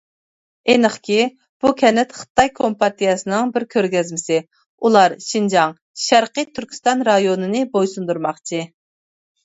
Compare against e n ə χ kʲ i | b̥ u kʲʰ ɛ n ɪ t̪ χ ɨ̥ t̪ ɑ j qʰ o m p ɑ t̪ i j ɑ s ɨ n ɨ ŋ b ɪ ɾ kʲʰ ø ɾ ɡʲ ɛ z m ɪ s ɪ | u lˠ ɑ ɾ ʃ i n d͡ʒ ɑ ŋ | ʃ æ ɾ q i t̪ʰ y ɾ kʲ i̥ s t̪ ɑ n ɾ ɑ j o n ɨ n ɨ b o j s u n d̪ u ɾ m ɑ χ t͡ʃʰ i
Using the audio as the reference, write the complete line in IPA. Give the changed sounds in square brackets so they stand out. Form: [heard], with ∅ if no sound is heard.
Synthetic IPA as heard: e n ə χ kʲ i | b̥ u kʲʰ ɛ n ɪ t̪ χ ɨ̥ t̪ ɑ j [kʰ] o m p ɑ t̪ i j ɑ s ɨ n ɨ ŋ b ɪ ɾ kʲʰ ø ɾ ɡʲ ɛ z m ɪ s ɪ | u lˠ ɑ ɾ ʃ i n d͡ʒ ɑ ŋ | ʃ æ ɾ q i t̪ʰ y ɾ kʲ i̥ s t̪ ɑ n ɾ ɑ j o n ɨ n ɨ b o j s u n d̪ u ɾ m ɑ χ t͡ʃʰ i